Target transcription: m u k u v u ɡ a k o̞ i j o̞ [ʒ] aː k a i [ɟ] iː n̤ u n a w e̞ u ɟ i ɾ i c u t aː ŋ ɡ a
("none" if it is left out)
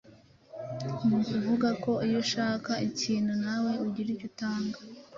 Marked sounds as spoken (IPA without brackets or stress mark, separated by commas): ʃ, c